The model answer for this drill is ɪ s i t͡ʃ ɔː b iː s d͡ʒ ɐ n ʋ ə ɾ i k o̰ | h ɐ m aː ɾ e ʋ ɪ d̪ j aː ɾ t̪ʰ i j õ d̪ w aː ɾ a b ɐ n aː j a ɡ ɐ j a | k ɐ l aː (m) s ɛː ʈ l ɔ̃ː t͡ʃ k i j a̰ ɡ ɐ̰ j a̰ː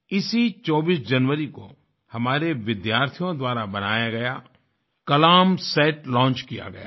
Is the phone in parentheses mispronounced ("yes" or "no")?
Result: no